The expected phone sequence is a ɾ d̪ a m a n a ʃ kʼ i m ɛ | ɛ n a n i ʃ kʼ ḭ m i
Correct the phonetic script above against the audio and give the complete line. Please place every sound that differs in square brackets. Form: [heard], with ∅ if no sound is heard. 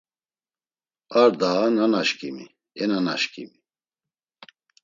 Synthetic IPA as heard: a ɾ d̪ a [n] a n a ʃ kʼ i m [i] | ɛ n a n [a] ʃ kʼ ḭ m i